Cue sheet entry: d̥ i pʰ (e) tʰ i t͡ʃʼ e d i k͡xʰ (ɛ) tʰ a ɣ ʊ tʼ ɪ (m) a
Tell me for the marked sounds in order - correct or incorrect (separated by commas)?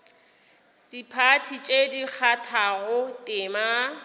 incorrect, incorrect, correct